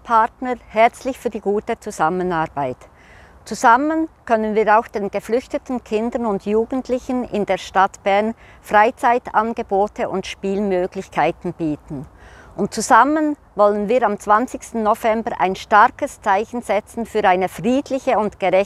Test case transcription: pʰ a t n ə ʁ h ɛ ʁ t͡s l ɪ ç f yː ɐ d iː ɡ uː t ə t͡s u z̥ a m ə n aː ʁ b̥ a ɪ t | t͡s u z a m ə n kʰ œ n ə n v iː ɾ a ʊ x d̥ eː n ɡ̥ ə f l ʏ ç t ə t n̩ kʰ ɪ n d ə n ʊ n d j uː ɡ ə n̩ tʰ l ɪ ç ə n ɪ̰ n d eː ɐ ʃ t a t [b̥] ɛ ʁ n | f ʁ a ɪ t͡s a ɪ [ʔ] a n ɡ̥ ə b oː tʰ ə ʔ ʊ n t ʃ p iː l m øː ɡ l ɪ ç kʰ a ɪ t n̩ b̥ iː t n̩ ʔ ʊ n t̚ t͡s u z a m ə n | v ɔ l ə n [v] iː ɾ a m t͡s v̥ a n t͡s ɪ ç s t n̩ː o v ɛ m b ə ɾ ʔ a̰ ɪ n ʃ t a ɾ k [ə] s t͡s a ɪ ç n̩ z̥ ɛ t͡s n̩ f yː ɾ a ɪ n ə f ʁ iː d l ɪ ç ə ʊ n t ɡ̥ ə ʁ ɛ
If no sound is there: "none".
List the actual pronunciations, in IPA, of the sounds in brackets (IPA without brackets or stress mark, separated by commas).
b̥, t, v, ə